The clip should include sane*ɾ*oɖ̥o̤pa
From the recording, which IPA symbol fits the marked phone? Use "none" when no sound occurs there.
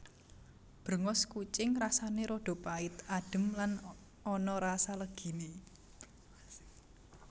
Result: ɾ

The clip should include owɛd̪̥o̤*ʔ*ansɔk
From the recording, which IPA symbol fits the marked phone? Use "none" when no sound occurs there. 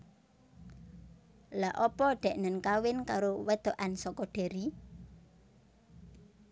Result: ʔ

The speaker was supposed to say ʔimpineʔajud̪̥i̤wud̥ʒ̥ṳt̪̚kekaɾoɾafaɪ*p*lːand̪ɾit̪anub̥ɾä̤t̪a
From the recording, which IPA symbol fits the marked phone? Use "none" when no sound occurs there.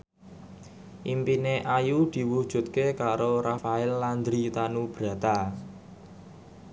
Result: none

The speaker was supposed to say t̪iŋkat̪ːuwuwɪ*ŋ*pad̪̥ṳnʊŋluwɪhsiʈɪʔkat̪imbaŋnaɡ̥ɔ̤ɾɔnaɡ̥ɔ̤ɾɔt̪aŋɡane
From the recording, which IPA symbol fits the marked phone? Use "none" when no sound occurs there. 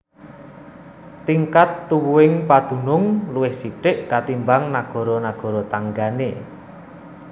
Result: ŋ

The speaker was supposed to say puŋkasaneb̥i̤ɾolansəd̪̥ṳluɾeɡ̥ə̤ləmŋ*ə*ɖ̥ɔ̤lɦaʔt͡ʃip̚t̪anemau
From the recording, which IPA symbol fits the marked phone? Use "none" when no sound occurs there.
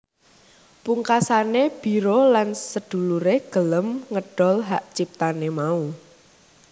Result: ə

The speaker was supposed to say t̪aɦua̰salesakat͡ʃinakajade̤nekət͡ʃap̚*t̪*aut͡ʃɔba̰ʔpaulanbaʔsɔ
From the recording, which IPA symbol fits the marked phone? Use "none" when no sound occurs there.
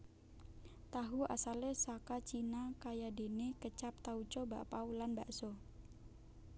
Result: t̪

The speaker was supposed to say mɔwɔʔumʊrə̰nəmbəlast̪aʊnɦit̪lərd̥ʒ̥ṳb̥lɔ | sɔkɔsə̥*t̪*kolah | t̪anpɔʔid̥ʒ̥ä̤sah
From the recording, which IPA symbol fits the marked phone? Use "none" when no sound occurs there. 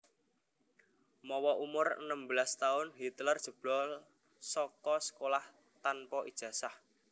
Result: none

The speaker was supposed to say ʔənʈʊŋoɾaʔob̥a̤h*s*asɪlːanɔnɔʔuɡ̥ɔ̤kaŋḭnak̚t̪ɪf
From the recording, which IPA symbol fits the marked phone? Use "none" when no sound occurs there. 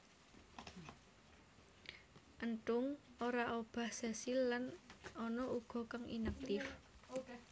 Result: s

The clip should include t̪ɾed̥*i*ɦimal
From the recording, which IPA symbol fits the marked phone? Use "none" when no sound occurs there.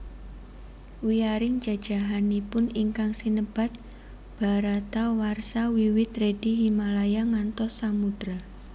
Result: i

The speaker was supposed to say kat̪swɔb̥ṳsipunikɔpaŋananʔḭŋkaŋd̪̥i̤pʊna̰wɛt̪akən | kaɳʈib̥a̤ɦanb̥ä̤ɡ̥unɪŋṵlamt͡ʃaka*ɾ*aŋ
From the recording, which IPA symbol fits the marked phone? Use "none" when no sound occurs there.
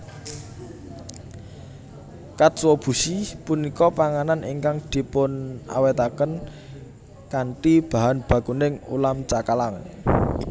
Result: l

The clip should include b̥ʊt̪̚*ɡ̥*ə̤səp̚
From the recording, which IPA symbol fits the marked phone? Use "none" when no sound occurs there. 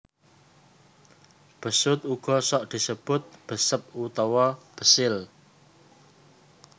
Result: b̥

